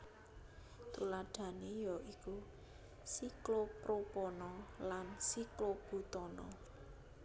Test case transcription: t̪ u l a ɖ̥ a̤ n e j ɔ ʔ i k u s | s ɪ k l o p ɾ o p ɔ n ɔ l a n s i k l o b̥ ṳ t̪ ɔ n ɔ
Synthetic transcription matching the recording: t̪ u l a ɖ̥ a̤ n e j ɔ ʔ i k u | s i k l o p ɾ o p ɔ n ɔ l a n s i k l o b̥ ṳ t̪ ɔ n ɔ